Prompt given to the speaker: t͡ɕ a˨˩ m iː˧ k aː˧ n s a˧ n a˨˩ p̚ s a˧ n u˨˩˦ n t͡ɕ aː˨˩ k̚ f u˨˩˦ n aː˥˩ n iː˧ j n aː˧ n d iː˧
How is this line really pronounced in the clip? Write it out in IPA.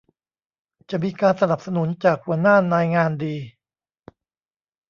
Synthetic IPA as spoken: t͡ɕ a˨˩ m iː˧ k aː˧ n s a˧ n a˨˩ p̚ s a˧ n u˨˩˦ n t͡ɕ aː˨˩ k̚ h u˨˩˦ n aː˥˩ n aː˧ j ŋ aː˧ n d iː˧